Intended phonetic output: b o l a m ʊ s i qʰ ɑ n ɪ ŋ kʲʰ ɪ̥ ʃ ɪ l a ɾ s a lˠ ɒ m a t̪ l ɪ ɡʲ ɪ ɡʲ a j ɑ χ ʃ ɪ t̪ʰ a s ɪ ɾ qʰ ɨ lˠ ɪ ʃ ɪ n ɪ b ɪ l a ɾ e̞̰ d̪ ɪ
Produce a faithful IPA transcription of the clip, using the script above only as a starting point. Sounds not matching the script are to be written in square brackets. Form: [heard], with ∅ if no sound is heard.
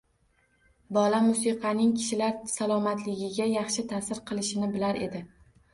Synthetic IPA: b [ɒ] l a m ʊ s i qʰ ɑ n ɪ ŋ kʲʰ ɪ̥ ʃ ɪ l a ɾ s a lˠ ɒ m a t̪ l ɪ ɡʲ ɪ ɡʲ a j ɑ χ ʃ ɪ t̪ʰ a s ɪ ɾ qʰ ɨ lˠ ɪ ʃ ɪ n ɪ b ɪ l a ɾ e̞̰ d̪ ɪ